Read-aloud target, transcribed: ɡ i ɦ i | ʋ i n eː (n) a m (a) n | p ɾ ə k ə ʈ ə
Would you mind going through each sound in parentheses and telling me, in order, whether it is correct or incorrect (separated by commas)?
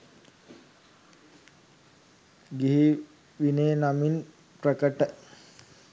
correct, incorrect